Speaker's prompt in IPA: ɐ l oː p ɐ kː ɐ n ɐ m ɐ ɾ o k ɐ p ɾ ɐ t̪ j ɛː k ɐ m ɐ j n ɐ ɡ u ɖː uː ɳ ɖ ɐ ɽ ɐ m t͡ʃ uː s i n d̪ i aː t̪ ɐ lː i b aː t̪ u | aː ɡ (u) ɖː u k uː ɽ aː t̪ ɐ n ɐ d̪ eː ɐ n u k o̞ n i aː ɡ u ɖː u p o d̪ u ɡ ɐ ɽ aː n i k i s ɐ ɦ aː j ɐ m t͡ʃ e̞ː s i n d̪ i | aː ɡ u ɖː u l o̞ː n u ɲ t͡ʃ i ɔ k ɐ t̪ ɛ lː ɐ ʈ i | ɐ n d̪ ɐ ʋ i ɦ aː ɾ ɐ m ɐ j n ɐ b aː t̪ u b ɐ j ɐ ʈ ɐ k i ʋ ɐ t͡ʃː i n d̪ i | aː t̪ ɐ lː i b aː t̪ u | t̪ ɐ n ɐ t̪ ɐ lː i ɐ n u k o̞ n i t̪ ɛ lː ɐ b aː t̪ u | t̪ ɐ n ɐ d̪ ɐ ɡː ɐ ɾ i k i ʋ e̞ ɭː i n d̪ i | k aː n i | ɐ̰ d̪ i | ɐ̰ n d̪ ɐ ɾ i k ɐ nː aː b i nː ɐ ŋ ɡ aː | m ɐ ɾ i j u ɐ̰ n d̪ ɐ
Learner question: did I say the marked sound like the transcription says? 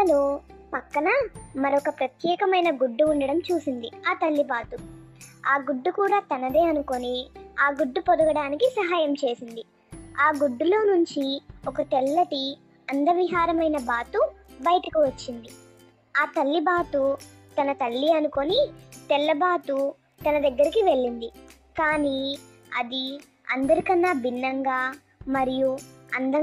yes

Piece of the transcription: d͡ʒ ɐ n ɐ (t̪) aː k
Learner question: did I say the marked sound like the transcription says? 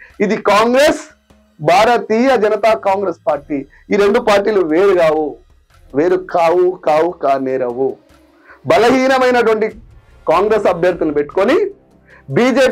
yes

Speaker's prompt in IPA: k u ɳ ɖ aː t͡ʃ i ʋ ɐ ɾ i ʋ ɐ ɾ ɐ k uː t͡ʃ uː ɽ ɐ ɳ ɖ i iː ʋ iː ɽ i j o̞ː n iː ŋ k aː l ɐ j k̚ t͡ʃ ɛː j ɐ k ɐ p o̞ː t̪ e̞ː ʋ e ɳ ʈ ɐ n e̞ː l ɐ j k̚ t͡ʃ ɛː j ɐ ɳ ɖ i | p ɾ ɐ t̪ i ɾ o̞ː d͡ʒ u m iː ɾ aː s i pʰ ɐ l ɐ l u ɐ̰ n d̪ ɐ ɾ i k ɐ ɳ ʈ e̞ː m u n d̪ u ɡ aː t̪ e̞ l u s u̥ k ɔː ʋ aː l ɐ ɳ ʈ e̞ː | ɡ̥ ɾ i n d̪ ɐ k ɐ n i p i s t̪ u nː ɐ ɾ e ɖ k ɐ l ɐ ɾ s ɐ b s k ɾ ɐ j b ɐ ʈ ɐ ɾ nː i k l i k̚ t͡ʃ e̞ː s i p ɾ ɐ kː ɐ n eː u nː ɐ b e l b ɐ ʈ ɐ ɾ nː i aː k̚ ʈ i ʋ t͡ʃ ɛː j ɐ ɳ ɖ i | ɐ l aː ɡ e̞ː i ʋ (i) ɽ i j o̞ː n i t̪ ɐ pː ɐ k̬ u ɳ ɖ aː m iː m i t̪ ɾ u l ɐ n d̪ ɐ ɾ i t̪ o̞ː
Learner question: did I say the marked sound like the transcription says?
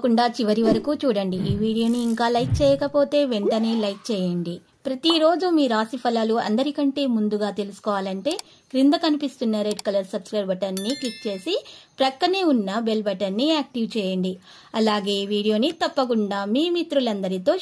no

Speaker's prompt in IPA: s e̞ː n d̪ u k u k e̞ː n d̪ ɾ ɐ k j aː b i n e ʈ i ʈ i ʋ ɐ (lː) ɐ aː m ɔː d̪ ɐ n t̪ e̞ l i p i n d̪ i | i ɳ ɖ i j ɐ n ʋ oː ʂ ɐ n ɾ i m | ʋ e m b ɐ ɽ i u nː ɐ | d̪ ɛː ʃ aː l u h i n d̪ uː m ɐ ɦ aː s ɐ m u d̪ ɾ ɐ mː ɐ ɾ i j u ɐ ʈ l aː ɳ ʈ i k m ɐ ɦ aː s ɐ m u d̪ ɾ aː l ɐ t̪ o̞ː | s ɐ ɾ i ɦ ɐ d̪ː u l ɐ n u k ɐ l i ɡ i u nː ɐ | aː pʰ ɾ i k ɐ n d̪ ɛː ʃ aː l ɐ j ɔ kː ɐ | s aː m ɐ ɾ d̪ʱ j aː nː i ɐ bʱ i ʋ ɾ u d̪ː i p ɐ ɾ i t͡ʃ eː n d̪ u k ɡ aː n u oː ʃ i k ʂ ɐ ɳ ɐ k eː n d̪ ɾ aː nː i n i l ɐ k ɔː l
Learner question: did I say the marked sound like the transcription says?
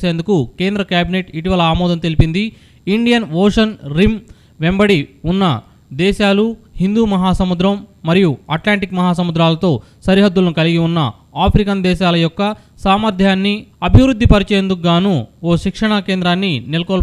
no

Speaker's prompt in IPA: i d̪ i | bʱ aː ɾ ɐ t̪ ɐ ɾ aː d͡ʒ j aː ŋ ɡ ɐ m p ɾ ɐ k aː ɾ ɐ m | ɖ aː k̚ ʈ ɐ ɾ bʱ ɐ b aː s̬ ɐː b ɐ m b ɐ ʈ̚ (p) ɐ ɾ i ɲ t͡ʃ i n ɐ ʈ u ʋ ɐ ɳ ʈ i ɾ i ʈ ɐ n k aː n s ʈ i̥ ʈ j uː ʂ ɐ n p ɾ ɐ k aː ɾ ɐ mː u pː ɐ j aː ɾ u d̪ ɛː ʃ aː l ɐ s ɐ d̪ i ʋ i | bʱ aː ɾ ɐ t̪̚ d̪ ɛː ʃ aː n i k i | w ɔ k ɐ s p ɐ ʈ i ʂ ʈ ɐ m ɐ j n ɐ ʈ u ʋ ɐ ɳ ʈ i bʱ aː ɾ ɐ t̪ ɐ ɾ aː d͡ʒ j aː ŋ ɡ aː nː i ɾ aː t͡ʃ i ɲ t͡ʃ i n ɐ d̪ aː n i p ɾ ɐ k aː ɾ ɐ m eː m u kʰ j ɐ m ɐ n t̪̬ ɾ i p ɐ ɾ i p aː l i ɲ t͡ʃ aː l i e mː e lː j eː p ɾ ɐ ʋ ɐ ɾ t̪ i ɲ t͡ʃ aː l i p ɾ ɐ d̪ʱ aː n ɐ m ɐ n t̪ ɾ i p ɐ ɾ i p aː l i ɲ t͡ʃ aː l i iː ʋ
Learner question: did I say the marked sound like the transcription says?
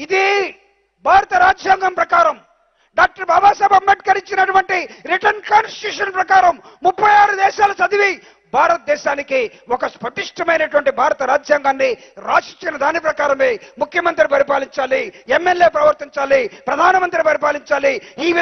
no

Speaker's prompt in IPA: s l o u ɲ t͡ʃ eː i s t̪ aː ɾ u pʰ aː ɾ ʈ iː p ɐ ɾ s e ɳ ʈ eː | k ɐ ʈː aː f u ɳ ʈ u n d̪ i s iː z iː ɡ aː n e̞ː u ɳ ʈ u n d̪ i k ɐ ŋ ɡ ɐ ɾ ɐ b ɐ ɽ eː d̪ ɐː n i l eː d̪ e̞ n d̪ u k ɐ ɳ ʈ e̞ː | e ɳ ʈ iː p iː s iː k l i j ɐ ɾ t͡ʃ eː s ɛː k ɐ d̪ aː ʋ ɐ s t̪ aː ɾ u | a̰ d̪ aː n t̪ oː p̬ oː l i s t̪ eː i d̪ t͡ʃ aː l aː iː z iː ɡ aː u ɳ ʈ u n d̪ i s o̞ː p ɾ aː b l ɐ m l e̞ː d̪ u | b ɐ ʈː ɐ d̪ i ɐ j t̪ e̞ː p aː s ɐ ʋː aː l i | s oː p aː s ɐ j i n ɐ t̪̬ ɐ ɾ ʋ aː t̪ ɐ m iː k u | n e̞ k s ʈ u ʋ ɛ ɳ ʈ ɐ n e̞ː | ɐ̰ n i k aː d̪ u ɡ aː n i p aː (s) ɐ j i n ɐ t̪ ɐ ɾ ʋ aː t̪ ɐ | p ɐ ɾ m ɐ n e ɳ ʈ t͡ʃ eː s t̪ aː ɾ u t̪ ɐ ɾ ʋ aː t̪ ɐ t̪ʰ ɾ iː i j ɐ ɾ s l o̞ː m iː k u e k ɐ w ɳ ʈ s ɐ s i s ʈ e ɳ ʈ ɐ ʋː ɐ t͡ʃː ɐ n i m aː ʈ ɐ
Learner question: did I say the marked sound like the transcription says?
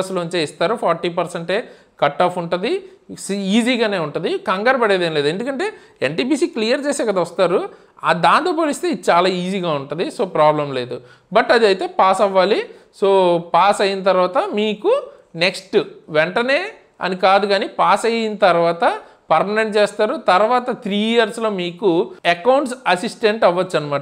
yes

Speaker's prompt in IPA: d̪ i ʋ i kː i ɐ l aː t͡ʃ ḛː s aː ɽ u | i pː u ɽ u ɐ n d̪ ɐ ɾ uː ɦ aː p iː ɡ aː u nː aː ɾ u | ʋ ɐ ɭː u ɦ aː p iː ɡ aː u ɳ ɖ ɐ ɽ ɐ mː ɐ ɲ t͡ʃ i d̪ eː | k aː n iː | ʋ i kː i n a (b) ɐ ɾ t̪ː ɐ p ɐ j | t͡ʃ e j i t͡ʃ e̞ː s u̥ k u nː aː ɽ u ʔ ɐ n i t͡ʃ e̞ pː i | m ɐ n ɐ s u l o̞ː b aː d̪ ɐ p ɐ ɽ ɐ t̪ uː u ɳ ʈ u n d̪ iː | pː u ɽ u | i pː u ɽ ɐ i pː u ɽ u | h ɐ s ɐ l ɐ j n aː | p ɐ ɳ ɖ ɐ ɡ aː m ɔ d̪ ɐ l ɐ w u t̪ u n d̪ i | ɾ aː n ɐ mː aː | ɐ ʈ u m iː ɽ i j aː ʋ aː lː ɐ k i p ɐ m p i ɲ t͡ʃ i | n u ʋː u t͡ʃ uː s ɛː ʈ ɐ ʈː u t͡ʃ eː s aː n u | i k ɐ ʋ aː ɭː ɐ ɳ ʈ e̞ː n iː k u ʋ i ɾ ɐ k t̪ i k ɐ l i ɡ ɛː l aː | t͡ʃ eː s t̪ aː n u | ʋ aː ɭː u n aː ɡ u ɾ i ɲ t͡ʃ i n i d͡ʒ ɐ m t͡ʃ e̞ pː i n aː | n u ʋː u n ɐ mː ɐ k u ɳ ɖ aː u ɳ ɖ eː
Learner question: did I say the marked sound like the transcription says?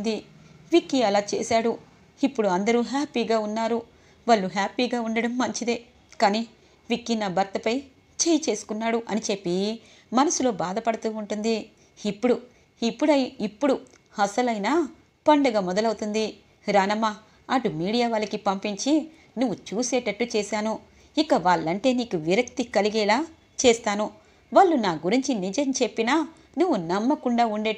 yes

